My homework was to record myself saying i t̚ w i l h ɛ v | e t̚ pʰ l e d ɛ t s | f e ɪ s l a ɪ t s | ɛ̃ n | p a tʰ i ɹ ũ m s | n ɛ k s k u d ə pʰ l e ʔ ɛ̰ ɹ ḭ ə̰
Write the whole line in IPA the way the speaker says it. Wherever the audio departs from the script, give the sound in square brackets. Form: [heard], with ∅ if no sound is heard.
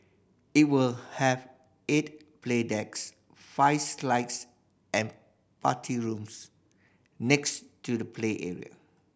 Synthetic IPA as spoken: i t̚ w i l h ɛ v | e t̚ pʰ l e d ɛ [k] s | f [a] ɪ s l a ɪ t s | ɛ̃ n | p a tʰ i ɹ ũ m s | n ɛ k s [t] u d ə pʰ l e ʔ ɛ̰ ɹ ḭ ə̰